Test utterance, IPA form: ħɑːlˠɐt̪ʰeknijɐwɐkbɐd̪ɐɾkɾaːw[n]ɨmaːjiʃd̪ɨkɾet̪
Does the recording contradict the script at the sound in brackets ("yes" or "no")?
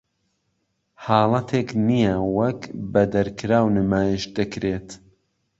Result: no